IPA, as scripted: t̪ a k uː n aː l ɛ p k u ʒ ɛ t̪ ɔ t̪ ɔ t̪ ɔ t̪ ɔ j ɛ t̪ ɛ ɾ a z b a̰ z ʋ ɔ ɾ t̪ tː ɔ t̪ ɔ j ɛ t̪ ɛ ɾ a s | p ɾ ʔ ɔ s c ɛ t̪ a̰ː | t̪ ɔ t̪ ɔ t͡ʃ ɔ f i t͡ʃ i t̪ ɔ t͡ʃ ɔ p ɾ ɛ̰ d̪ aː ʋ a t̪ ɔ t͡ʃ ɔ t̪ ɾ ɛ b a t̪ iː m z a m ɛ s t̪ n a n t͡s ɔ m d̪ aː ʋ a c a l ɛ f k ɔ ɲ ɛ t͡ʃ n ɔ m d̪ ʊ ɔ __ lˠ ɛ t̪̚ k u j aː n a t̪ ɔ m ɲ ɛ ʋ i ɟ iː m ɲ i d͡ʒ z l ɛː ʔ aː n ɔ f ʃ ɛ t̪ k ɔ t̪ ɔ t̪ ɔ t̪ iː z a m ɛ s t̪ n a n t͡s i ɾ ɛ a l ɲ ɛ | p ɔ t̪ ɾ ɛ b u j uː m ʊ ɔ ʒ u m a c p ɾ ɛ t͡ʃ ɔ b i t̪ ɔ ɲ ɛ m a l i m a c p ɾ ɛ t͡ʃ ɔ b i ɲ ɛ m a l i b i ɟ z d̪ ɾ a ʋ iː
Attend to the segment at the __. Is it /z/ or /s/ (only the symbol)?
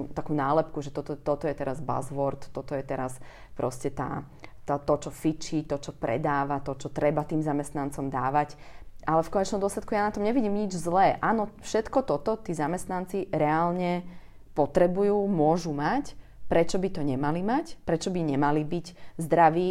s